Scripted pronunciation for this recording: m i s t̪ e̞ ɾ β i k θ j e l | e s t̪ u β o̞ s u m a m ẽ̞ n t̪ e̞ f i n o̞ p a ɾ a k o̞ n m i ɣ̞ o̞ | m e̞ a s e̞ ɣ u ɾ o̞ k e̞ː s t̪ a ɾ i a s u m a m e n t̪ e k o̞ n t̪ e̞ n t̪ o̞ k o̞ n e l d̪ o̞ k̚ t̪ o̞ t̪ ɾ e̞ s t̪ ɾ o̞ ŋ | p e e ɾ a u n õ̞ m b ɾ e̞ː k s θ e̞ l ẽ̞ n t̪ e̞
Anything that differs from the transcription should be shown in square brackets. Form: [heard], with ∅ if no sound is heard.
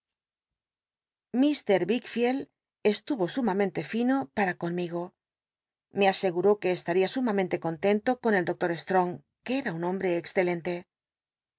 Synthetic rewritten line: m i s t̪ e̞ ɾ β i k [f] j e l | e s t̪ u β o̞ s u m a m ẽ̞ n t̪ e̞ f i n o̞ p a ɾ a k o̞ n m i ɣ̞ o̞ | m e̞ a s e̞ ɣ u ɾ o̞ k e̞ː s t̪ a ɾ i a s u m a m [ẽ] n t̪ e k o̞ n t̪ e̞ n t̪ o̞ k o̞ n e l d̪ o̞ k̚ t̪ o̞ [∅] ɾ e̞ s t̪ ɾ o̞ ŋ | [k] e e ɾ a u n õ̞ m b ɾ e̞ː k s θ e̞ l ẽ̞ n t̪ e̞